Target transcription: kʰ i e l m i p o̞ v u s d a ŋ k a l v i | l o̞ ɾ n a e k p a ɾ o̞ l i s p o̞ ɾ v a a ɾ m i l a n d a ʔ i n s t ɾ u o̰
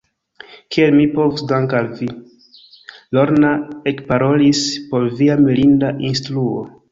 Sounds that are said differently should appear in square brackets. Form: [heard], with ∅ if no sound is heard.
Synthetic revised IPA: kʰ i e l m i p o̞ v u s d a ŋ k a l v i | l o̞ ɾ n a e k p a ɾ o̞ l i s p o̞ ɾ v [i] a [∅] m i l [i] n d a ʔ i n s t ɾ u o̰